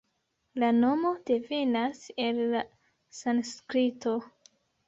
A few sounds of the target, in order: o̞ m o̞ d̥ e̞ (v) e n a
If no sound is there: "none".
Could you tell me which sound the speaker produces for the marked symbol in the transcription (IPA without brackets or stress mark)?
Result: v